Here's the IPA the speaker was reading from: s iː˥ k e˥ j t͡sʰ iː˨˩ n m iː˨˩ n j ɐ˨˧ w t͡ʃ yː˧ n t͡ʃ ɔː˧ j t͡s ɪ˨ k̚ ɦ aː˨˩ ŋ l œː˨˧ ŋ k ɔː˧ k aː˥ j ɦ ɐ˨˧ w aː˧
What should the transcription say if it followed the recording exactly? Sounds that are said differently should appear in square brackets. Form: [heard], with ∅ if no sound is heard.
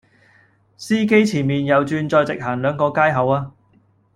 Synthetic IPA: s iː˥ k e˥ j t͡sʰ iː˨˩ n m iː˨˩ n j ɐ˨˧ w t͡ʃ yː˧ n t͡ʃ ɔː˧ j t͡s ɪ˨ k̚ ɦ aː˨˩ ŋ l œː˨˧ ŋ k ɔː˧ k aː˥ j ɦ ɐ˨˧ w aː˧